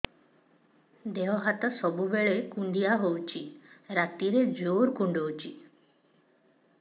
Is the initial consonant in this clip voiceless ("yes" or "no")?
no